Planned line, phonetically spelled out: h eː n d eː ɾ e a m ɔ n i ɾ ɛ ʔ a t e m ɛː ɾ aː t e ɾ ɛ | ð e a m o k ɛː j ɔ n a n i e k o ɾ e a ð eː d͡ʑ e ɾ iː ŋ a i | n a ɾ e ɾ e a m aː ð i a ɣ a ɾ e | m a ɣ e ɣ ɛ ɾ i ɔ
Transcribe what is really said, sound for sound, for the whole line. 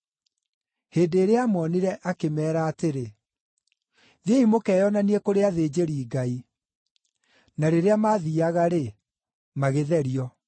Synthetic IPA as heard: h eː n d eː ɾ e a m ɔ n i ɾ ɛ ʔ a k e m ɛː ɾ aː t e ɾ e | ð e i m o k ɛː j ɔ n a n i e k o ɾ e a ð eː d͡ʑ e ɾ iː ɡ a i | n a ɾ e ɾ e a m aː ð i a ɣ a ɾ e | m a ɣ e ð ɛ ɾ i ɔ